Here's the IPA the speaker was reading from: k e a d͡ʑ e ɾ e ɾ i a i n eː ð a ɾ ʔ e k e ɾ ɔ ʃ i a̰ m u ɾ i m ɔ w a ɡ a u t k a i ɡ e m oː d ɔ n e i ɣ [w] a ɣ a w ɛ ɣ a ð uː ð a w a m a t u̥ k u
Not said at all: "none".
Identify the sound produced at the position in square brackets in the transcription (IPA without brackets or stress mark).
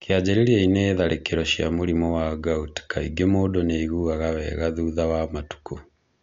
u